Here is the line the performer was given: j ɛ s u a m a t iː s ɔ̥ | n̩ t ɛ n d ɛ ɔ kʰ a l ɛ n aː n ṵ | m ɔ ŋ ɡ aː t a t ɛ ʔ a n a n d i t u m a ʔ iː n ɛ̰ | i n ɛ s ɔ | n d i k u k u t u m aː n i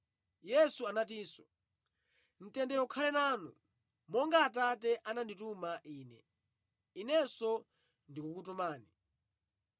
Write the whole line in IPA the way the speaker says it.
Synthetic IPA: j ɛ s u a n a t iː s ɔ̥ | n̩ t ɛ n d ɛ ɔ kʰ a l ɛ n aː n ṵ | m ɔ ŋ ɡ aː t a t ɛ ʔ a n a n d i t u m a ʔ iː n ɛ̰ | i n ɛ s ɔ | n d i k u k u t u m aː n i